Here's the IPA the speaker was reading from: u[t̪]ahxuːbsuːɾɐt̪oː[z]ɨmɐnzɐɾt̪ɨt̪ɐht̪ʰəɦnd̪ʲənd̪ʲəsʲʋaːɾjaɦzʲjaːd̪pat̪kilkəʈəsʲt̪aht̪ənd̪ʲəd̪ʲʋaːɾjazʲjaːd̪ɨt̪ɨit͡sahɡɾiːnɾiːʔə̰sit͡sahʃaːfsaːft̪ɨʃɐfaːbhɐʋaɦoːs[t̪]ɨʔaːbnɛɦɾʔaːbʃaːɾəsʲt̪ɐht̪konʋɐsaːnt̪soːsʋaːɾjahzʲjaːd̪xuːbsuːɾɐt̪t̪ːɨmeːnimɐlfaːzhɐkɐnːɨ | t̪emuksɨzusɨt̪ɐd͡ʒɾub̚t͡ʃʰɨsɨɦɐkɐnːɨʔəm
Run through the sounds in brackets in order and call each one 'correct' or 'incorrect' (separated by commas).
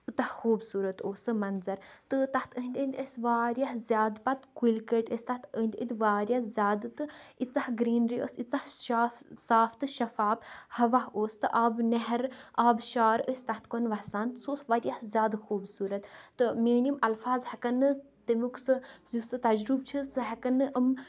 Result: correct, incorrect, correct